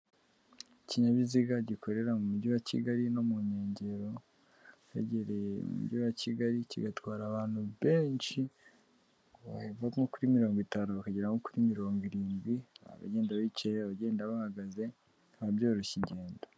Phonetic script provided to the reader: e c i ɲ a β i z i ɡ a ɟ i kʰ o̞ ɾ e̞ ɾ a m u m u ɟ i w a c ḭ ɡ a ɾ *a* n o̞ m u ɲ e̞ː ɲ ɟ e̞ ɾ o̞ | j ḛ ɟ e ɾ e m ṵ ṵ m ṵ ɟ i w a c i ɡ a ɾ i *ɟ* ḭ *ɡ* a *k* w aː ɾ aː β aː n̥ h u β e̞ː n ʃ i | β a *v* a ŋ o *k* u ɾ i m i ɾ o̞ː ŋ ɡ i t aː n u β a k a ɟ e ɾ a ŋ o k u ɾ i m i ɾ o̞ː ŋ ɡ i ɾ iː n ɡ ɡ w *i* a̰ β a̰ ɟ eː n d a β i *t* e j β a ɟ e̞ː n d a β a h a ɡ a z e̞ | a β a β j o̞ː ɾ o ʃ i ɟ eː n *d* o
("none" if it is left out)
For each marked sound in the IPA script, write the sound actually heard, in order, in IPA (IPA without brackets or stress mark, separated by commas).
i, c, ɡ, t, v, k, i, t͡ʃ, d